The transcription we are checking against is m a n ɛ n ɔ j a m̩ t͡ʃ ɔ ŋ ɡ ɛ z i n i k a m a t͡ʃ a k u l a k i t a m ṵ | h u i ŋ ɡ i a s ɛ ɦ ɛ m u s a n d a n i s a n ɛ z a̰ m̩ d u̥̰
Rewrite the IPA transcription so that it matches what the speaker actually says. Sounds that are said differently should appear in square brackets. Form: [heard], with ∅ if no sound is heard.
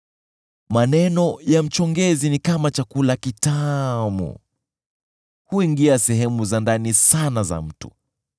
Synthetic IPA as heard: m a n ɛ n ɔ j a m̩ t͡ʃ ɔ ŋ ɡ ɛ z i n i k a m a t͡ʃ a k u l a k i t a m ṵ | h u i ŋ ɡ i a s ɛ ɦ ɛ m u [z] a n d a n i s a n [a] z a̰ m̩ [t] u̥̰